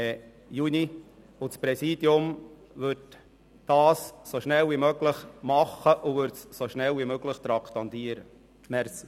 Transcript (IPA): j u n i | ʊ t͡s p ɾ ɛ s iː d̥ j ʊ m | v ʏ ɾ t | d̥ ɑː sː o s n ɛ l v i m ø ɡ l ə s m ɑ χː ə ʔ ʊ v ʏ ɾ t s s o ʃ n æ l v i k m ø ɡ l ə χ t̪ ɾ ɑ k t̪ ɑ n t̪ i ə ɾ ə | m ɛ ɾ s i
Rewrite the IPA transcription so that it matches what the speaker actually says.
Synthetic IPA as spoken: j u n i | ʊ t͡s p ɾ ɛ s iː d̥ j ʊ m | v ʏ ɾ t | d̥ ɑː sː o ʃ n ɛ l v i m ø ɡ l ə χ m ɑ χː ə ʔ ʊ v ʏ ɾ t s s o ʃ n ɛ l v i m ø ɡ l ə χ t̪ ɾ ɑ k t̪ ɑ n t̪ i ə ɾ ə | m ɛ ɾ s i

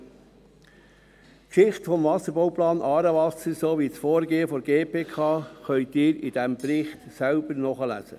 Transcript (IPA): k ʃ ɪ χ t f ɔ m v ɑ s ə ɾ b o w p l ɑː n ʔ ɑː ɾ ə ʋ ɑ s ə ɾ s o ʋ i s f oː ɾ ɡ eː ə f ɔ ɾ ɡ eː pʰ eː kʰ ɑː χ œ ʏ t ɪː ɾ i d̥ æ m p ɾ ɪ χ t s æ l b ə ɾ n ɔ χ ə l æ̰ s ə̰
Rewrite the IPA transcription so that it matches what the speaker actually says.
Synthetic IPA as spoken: k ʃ ɪ χ t f ɔ m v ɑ s ə ɾ b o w p l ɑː n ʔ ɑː ɾ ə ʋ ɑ s ə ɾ s o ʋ i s f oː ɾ ɡ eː ə f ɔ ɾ ɡ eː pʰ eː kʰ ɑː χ œ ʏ t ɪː ɾ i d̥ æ m p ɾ ɪ χ t s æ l b ə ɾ n ɔ χ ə l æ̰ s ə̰

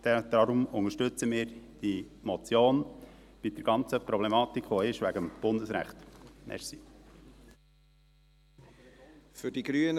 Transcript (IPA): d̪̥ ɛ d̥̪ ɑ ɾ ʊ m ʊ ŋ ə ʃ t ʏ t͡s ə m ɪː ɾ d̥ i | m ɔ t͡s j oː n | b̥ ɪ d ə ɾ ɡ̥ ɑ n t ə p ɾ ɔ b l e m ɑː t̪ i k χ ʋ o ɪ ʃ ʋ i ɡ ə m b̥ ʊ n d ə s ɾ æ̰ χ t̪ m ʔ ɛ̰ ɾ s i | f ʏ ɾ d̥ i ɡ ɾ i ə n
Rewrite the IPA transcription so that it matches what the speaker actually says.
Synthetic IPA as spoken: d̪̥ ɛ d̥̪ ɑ ɾ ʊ m ʊ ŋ ə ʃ t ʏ t͡s ə m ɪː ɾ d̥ i | m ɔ t͡s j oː n | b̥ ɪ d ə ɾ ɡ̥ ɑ n t͡s ə p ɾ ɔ b l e m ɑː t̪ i k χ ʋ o ɪ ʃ ʋ æ ɡ ə m b̥ ʊ n d ə s ɾ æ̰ χ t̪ m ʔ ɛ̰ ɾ s i | f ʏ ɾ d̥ i ɡ ɾ y ə n

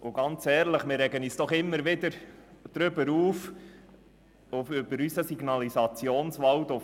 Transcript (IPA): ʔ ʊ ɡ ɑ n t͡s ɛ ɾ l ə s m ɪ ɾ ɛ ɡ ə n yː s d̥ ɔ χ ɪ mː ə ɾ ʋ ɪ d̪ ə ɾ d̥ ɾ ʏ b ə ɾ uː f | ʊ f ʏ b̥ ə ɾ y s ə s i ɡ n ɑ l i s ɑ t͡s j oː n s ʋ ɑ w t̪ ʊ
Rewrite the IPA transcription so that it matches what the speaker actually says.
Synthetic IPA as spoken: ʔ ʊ ɡ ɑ n t͡s ɛː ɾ l ə χ m ɪ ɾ ɛ ɡ ə n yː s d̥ ɔ χ ɪ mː ə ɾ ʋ ɪ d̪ ə ɾ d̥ ɾ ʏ b ə ɾ uː f | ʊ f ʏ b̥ ə ɾ y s ə s i ɡ n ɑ l i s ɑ t͡s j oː n s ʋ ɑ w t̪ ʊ

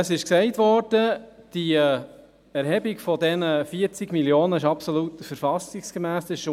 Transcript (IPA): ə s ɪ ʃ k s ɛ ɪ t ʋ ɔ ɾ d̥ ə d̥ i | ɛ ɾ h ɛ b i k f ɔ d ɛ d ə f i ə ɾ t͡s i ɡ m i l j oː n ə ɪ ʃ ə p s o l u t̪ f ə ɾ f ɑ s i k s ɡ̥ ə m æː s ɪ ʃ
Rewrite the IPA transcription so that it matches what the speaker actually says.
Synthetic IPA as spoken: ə s ɪ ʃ k s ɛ ɪ t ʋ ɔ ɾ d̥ ə d̥ i | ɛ ɾ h ɛ b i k f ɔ d ɛ n ə f i ə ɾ t͡s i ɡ m i l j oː n ə ɪ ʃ ɑ p s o l u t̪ f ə ɾ f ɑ s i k s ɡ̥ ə m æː s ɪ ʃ

